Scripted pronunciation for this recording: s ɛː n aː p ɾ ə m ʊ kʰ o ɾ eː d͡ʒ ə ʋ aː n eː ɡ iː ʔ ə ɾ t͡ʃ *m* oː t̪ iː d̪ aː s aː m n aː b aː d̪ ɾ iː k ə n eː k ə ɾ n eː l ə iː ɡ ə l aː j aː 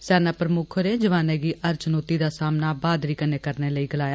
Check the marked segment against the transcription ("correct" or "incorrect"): incorrect